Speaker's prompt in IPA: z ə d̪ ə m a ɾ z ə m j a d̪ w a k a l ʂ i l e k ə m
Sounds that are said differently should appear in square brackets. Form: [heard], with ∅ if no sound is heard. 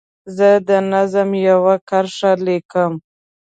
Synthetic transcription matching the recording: z ə d̪ ə [n] a [∅] z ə m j a [∅] w a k a [ɾ] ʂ [a] l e k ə m